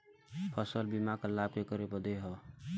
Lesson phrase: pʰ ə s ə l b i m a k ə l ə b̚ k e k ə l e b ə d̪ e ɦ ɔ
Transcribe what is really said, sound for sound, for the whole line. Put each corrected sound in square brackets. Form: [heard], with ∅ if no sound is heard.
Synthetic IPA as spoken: pʰ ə s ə l b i m a k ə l [a] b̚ k e k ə [ɾ] e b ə d̪ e ɦ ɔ